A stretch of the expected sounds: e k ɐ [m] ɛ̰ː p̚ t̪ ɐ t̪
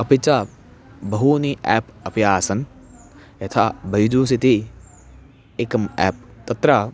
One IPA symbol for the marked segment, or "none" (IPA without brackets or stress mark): m